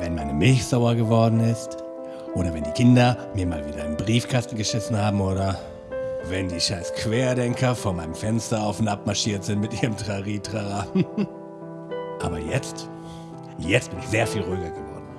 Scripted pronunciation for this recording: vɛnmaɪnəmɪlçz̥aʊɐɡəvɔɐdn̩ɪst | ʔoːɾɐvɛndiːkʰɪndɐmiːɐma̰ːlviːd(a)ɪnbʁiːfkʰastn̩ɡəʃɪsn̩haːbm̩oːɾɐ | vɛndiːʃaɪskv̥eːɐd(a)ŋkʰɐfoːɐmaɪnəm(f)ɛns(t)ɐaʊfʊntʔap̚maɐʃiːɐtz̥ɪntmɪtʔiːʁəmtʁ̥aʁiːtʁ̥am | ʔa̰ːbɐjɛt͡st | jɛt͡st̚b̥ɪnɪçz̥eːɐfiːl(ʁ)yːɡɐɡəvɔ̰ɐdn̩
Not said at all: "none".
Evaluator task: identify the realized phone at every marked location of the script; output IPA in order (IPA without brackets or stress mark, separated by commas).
ɐ, ɛ, f, t, ʁ